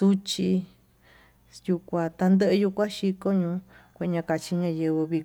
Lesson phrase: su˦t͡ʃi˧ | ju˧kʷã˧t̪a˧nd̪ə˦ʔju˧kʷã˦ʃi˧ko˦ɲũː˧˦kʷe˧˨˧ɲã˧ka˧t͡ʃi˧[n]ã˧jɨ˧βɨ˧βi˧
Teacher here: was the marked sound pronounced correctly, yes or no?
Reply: no